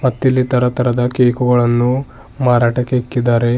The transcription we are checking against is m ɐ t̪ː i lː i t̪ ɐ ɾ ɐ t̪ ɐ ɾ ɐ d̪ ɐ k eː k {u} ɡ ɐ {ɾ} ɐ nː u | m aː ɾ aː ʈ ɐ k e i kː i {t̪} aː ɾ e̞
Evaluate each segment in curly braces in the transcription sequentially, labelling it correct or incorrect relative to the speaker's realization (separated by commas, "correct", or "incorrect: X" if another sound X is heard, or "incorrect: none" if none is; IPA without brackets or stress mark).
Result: correct, incorrect: ɭ, incorrect: d̪